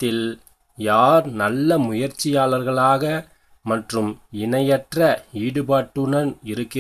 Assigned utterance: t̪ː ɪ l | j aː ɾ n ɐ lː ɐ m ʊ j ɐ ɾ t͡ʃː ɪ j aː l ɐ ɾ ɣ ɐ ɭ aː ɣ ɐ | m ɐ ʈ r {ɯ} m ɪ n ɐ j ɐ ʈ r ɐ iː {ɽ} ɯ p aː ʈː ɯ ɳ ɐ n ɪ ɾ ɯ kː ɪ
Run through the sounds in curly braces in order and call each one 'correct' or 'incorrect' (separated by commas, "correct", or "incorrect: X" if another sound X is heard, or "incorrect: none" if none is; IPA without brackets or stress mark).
correct, correct